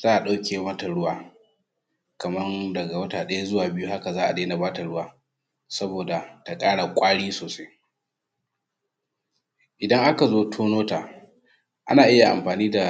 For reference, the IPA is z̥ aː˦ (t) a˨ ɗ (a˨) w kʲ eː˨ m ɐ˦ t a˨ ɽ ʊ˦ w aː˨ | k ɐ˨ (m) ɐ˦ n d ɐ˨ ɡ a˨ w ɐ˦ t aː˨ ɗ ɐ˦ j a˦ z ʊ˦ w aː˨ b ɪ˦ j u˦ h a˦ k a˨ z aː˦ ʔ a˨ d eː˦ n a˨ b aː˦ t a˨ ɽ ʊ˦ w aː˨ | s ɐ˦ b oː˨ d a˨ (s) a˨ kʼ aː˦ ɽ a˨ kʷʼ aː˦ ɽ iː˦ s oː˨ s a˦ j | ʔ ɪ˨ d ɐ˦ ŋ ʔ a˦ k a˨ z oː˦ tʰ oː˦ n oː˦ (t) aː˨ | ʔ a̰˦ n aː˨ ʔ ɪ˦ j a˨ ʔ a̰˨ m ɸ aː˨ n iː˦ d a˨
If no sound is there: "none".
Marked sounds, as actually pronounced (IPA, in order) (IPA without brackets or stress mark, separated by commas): ʔ, a˦, m, t, t